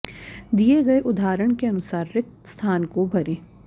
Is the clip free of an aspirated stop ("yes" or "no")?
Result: no